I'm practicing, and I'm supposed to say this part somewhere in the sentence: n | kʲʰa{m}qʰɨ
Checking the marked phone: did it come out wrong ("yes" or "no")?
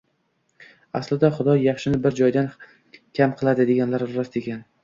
no